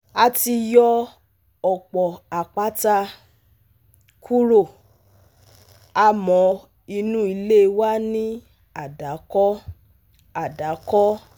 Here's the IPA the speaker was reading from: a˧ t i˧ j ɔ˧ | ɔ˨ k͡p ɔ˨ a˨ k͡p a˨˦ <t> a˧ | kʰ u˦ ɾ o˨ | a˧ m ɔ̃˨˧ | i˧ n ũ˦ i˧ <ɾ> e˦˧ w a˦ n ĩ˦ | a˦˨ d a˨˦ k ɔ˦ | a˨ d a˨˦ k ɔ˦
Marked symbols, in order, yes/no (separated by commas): yes, no